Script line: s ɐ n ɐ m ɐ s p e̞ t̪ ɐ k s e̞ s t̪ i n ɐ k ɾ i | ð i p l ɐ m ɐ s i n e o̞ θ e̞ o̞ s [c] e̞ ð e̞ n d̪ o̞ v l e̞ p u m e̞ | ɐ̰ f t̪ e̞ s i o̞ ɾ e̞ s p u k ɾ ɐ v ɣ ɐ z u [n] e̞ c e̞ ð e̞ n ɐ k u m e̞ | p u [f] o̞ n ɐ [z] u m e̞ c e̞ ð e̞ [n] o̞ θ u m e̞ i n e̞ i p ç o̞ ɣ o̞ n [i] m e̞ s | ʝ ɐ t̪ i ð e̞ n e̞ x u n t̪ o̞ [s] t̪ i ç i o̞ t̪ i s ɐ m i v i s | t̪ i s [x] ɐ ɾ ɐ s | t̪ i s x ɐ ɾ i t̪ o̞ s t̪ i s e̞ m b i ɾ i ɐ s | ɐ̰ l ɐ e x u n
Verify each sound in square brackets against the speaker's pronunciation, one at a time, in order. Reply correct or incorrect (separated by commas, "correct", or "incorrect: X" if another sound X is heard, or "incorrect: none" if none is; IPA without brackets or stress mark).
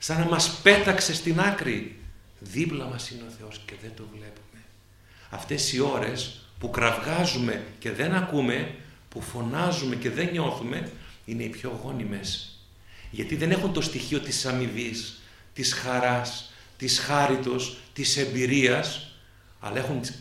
correct, incorrect: m, correct, correct, incorrect: ɲ, correct, correct, correct